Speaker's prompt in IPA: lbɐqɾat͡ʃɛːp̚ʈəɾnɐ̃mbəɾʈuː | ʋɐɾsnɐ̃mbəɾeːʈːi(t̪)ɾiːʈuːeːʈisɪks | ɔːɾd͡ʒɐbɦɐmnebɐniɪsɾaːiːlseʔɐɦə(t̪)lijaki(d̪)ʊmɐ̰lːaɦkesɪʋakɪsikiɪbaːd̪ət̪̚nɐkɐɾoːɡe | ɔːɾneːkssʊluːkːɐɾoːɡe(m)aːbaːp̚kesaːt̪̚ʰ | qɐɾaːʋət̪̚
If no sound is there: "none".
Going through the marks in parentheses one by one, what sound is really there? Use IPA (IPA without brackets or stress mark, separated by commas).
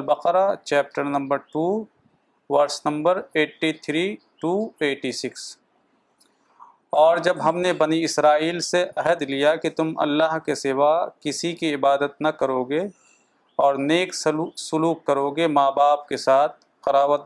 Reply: t̪ʰ, d̪, t̪, m